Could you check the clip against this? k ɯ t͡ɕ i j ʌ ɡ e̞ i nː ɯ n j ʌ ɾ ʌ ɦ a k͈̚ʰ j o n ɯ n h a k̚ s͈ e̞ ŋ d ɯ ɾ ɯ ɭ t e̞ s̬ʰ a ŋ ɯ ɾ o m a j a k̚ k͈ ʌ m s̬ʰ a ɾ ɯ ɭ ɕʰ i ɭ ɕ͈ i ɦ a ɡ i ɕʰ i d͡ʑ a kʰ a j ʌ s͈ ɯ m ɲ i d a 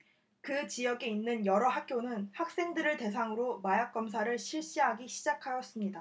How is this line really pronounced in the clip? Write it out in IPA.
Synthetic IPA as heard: k ɯ t͡ɕ i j ʌ ɡ e̞ i nː ɯ n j ʌ ɾ ʌ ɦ a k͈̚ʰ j o n ɯ n h a k̚ s͈ e̞ ŋ d ɯ ɾ ɯ ɭ t e̞ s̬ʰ a ŋ ɯ ɾ o m a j a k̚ k͈ ʌ m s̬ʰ a ɾ ɯ ɭ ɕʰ i ɭ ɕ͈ i ɦ a ɡ i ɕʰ i d͡ʑ a kʰ a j ʌ s͈ ɯ m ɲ i d a

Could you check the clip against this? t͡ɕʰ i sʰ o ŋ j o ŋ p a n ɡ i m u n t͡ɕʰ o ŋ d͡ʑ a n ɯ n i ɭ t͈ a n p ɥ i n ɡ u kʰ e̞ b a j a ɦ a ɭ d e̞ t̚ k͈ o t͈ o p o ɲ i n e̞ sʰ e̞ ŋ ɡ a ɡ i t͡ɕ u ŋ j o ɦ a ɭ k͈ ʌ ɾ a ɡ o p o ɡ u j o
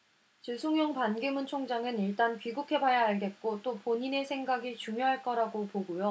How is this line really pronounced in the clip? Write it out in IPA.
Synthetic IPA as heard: t͡ɕ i sʰ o ŋ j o ŋ p a n ɡ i m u n t͡ɕʰ o ŋ d͡ʑ a ŋ ɯ n i ɭ t͈ a n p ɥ i ɡ u kʰ e̞ b a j a ɦ a ɭ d e̞ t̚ k͈ o t͈ o p o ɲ i n e̞ sʰ e̞ ŋ ɡ a ɡ i t͡ɕ u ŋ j o ɦ a ɭ k͈ ʌ ɾ a ɡ o p o ɡ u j o

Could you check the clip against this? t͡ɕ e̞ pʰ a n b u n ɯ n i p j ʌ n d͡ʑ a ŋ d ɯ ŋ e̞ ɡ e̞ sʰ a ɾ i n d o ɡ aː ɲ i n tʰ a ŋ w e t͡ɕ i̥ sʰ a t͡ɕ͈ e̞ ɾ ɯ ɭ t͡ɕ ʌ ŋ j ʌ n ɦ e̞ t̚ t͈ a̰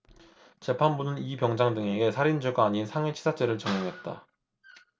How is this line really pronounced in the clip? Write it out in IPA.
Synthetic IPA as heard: t͡ɕ e̞ pʰ a n b u n ɯ n i p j ʌ ŋ d͡ʑ a ŋ d ɯ ŋ e̞ ɡ e̞ sʰ a ɾ i n d͡ʑ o ɡ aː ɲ i n sʰ a ŋ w e t͡ɕʰ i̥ sʰ a t͡ɕ͈ e̞ ɾ ɯ ɭ t͡ɕ ʌ ŋ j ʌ ŋ ɦ e̞ t̚ t͈ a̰

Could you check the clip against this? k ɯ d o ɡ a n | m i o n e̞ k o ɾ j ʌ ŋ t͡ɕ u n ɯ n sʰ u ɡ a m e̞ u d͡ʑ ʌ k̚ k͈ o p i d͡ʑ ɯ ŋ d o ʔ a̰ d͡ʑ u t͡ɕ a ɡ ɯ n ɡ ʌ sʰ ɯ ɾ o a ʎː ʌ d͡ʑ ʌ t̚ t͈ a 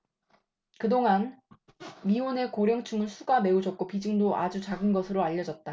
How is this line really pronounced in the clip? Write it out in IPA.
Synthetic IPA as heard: k ɯ d o ŋ a n | m i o n e̞ k o ɾ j ʌ ŋ t͡ɕʰ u ŋ ɯ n sʰ u ɡ a m e̞ u d͡ʑ ʌ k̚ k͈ o p i d͡ʑ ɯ ŋ d o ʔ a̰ d͡ʑ u t͡ɕ a ɡ ɯ n ɡ ʌ sʰ ɯ ɾ o a ʎː ʌ d͡ʑ ʌ t̚ t͈ a

